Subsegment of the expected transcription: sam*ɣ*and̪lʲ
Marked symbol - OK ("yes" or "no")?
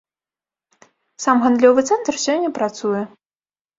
yes